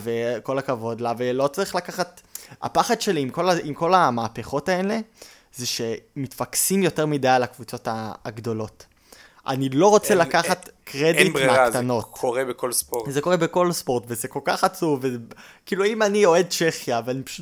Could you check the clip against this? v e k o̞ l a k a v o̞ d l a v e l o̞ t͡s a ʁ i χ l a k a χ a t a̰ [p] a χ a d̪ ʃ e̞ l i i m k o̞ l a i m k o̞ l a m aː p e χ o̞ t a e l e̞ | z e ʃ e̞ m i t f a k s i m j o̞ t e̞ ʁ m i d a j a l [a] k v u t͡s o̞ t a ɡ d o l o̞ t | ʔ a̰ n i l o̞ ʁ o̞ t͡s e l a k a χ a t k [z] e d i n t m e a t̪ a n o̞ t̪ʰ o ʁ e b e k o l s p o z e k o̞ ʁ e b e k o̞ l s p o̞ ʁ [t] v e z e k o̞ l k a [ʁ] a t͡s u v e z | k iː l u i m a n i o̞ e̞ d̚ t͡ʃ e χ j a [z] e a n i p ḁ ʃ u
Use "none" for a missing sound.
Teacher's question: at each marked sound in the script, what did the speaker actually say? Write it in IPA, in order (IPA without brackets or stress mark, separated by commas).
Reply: p, a, ʁ, t, χ, v